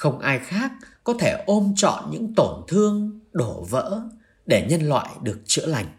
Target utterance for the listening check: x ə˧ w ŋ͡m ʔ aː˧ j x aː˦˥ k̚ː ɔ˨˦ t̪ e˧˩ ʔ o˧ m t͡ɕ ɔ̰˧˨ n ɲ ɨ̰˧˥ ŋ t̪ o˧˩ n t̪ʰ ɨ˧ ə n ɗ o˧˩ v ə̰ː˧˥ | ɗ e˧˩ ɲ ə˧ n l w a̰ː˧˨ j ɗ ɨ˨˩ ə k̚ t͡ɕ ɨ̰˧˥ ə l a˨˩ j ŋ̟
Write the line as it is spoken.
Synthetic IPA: x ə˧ w ŋ͡m ʔ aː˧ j x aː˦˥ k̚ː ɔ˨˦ t̪ʰ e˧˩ ʔ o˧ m t͡ɕ ɔ̰˧˨ n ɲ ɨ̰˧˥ ŋ t̪ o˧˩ n t̪ʰ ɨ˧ ə ŋ ɗ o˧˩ v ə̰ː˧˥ | ɗ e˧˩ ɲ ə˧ n l w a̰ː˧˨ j ɗ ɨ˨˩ ə k̚ t͡ɕ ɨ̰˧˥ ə l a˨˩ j ŋ̟